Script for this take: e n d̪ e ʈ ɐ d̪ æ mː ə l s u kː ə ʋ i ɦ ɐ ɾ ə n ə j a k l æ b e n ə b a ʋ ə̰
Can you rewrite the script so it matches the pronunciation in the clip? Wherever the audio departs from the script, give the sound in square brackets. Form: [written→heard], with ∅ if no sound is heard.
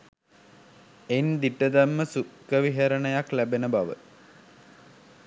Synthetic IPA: e n d̪ [e→i] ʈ [ɐ→ə] d̪ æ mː ə [l→∅] s u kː ə ʋ i ɦ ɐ ɾ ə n ə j a k l æ b e n ə b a ʋ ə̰